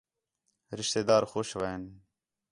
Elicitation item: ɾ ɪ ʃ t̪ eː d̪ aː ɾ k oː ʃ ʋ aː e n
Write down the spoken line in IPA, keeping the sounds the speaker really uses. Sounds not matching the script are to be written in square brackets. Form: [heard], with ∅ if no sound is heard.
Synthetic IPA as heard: ɾ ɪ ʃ t̪ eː d̪ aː ɾ [x] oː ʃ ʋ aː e n